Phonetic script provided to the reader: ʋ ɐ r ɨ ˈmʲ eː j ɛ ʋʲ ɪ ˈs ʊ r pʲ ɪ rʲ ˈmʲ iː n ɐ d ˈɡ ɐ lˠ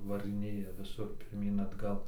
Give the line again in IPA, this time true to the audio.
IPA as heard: ʋ ɐ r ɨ ˈnʲ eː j ɛ ʋʲ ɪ ˈs ʊ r pʲ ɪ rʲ ˈmʲ iː n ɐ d ˈɡ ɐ lˠ